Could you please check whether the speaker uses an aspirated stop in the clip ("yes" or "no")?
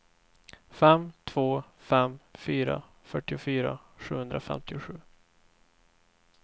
yes